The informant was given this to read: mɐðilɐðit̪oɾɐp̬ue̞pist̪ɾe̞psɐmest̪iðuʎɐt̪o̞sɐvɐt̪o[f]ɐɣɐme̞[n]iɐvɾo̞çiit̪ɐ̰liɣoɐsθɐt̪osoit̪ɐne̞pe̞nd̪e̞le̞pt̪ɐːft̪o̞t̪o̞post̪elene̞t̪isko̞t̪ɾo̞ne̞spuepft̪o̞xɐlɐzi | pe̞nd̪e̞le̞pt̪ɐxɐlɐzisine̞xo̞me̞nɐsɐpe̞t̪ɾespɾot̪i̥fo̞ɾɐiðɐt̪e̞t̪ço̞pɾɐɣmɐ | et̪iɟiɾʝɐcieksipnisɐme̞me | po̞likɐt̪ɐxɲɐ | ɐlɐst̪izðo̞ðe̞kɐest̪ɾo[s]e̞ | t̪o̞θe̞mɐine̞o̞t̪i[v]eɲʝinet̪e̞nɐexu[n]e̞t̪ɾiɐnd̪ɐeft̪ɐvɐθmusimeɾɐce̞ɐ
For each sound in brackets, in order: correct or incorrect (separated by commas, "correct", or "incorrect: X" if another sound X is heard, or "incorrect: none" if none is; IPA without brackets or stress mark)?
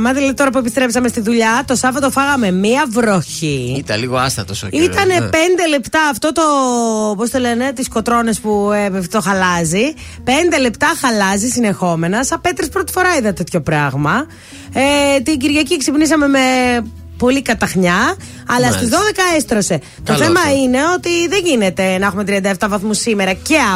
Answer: correct, incorrect: m, correct, incorrect: ð, incorrect: m